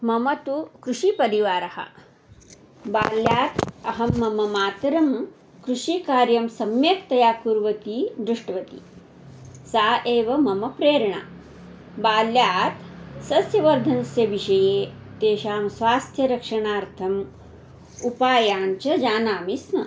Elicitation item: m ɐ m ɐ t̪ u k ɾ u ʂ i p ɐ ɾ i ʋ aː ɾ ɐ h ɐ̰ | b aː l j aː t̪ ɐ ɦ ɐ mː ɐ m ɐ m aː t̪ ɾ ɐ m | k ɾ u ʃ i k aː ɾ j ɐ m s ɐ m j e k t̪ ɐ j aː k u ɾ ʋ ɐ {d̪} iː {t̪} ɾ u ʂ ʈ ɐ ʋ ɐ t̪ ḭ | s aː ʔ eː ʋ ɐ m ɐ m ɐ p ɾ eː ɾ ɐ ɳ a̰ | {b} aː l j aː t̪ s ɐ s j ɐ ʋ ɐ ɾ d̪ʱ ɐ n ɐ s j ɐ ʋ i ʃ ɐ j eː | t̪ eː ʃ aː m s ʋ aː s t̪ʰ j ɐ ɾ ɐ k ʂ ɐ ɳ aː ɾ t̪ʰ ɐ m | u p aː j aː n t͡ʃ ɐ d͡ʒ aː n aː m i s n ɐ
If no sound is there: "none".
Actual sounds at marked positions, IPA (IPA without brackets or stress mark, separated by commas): t̪, d̪, b